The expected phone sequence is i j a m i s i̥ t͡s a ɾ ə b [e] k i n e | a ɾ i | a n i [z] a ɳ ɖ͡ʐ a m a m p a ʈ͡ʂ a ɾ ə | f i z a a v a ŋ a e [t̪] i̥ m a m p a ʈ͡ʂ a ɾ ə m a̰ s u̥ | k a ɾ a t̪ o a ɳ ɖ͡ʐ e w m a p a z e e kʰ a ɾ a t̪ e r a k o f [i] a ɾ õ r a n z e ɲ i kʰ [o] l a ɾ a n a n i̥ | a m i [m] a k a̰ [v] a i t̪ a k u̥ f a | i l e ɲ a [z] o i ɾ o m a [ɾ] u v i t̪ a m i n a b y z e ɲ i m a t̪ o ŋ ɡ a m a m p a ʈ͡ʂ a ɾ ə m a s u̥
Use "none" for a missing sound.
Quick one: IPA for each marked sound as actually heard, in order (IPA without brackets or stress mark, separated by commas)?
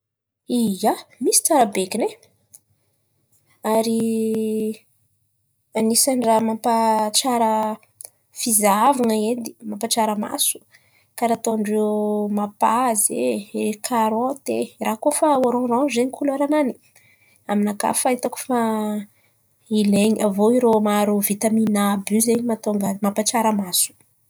e, s, d̪, a, u, n, f, v, ɾ